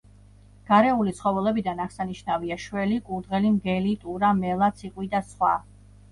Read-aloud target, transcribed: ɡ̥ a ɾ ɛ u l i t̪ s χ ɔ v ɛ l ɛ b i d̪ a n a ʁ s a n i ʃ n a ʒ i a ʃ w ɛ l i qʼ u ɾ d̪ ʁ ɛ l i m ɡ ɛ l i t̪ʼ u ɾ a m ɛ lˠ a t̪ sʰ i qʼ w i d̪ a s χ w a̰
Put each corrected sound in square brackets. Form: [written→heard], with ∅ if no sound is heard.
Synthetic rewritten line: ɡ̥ a ɾ ɛ u l i t̪ s χ ɔ v ɛ l ɛ b i d̪ a n a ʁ s a n i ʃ n a [ʒ→v] i a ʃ w ɛ l i [qʼ→kʼ] u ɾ d̪ ʁ ɛ l i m ɡ ɛ l i t̪ʼ u ɾ a m ɛ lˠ a t̪ sʰ i qʼ w i d̪ a s χ w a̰